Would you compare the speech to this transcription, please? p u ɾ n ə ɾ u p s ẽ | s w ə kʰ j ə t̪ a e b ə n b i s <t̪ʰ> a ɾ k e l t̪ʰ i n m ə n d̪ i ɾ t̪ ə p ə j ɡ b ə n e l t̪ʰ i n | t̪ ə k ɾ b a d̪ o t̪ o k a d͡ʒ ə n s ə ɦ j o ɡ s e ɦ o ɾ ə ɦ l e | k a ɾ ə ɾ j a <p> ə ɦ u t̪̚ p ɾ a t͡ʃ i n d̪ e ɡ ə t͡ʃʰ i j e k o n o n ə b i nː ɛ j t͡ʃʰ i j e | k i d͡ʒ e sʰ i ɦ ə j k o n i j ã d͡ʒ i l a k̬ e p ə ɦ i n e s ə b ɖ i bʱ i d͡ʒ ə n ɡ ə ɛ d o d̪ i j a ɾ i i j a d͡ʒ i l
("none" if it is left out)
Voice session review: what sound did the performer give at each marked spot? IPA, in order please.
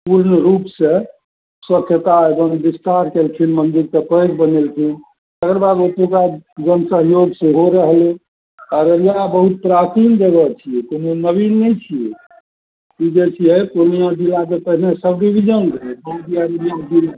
t̪, b

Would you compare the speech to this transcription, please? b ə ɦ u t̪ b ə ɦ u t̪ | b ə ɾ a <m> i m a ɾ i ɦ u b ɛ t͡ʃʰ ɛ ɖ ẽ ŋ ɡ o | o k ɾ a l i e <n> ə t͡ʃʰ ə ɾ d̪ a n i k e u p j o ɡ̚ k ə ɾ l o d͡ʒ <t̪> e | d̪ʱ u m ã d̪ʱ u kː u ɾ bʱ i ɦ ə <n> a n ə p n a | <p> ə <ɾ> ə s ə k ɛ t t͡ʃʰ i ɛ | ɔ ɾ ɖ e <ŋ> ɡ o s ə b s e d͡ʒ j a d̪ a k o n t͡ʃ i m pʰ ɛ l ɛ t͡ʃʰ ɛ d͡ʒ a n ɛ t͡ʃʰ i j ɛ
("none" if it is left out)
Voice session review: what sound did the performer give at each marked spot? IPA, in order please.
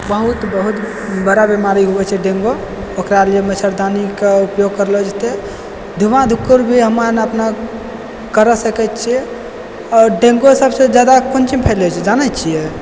b, m, t̪, m, k, ɾ, ŋ

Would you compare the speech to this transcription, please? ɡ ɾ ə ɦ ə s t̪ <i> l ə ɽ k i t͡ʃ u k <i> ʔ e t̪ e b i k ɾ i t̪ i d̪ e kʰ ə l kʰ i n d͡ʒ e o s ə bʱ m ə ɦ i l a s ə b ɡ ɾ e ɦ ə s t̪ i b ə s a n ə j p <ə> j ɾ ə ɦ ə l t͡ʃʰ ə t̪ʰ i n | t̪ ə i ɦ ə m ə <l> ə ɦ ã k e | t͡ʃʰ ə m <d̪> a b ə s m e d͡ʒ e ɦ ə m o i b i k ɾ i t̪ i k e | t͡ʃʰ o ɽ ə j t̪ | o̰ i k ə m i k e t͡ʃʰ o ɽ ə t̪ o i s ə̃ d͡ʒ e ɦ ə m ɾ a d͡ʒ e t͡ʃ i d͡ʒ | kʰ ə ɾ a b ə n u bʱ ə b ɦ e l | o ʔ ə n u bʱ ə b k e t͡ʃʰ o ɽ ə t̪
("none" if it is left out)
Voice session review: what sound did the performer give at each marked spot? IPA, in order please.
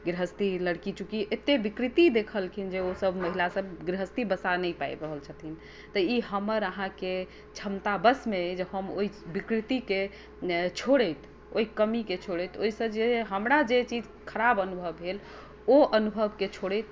i, i, a, ɾ, t̪

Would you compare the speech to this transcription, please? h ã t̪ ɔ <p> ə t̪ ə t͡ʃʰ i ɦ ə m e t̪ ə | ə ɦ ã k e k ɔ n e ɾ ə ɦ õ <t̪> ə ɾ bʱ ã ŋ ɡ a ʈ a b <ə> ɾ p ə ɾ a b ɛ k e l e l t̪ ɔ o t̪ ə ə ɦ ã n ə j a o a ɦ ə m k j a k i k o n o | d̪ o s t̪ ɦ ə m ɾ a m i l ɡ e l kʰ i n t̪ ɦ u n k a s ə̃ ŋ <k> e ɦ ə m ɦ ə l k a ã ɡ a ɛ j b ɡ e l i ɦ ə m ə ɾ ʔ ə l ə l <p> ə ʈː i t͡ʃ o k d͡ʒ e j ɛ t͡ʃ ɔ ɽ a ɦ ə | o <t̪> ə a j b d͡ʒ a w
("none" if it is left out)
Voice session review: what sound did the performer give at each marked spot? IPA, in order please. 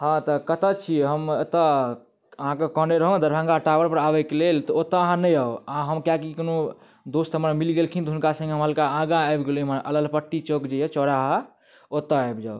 k, d̪, ə, ɡ, p, t̪

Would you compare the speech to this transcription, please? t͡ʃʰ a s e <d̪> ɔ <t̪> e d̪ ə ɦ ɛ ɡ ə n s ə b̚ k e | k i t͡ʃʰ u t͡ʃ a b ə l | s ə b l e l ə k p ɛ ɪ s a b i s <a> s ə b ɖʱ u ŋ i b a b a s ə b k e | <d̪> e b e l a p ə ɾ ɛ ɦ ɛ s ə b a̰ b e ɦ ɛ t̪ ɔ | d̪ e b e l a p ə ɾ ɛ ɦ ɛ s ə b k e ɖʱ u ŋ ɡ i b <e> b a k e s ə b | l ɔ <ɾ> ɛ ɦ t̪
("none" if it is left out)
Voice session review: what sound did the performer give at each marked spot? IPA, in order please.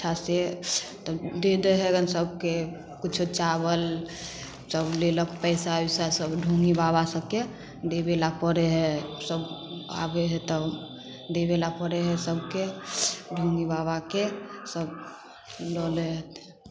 t̪, d̪, a, d̪, a, l

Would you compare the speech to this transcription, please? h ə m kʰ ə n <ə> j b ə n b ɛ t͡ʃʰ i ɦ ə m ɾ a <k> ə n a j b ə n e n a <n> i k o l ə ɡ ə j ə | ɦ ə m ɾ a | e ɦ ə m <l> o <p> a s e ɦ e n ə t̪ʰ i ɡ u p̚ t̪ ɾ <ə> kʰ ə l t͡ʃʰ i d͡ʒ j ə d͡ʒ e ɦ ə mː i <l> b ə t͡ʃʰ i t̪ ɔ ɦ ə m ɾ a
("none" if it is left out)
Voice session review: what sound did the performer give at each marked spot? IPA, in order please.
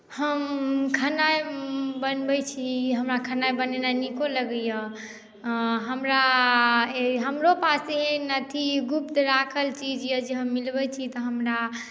a, kʰ, n, ɾ, p, a, l

